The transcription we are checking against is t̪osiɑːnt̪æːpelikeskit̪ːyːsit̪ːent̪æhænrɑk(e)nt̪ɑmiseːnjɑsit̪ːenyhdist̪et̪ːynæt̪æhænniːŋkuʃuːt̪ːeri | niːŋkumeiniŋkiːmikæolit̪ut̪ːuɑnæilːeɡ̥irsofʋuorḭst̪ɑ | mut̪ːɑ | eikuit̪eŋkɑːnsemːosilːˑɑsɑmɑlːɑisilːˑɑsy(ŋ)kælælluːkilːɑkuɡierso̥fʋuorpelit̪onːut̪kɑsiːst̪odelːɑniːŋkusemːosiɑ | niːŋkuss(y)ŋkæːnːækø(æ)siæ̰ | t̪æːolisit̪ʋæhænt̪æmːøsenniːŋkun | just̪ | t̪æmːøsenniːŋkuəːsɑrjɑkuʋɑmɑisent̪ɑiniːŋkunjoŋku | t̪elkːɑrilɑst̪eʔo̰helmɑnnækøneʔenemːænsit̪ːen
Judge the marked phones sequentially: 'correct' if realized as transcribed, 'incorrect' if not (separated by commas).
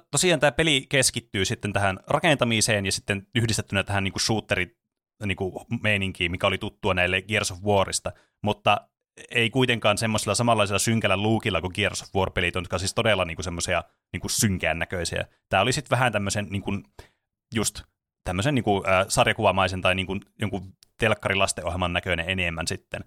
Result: correct, correct, correct, incorrect